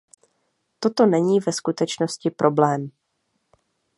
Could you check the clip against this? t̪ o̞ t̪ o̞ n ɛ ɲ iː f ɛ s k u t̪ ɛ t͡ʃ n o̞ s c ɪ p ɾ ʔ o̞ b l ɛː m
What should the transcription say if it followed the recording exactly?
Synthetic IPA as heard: t̪ o̞ t̪ o̞ n ɛ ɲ iː v ɛ s k u t̪ ɛ t͡ʃ n o̞ s c ɪ p ɾ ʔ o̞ b l ɛː m